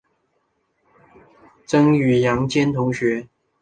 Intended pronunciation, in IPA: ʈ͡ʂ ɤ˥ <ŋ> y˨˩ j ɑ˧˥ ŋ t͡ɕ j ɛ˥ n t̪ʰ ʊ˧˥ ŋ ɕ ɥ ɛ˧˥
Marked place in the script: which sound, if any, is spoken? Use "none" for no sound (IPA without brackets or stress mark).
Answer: ŋ